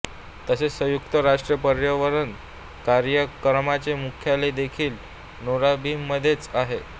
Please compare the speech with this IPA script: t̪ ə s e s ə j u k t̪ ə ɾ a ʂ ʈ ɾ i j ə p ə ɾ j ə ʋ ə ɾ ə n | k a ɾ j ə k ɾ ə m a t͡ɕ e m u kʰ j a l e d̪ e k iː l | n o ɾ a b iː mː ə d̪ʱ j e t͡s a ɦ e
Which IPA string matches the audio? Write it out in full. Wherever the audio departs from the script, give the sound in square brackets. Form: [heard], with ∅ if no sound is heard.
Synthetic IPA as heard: t̪ ə s e s ə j u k t̪ ə ɾ a ʂ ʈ ɾ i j ə p ə ɾ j ə ʋ ə ɾ ə n | k a ɾ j ə k ɾ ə m a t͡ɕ e m u kʰ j a l e d̪ e [kʰ] iː l | n o ɾ a b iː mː ə d̪ʱ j e t͡s a ɦ e